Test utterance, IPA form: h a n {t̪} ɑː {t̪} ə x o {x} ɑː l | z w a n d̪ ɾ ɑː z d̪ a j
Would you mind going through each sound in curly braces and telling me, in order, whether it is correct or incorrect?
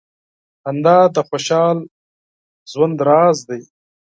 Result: incorrect, incorrect, incorrect

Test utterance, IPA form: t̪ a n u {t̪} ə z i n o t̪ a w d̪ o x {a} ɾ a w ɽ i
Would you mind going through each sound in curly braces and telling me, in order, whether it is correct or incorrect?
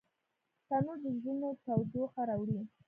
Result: incorrect, correct

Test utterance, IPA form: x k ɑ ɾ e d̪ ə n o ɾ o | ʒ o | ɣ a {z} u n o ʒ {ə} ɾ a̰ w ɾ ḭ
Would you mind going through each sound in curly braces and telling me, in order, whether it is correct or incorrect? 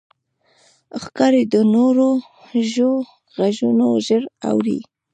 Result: incorrect, correct

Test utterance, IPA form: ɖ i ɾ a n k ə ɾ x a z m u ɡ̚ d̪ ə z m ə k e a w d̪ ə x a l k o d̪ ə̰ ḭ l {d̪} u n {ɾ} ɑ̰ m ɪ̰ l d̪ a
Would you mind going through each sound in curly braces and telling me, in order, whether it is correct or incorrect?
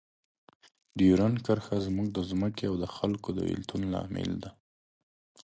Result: incorrect, incorrect

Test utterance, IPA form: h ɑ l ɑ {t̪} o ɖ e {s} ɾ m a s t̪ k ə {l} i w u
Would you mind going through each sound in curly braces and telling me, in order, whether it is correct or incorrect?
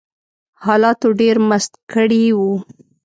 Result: correct, incorrect, incorrect

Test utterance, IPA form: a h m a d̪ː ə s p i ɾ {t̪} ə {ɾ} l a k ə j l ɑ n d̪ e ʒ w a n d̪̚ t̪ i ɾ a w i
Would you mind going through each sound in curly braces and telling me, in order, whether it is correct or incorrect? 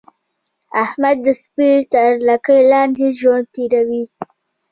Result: correct, correct

